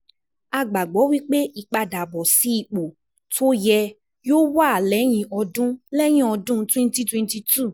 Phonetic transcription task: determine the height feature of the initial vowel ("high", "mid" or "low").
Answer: low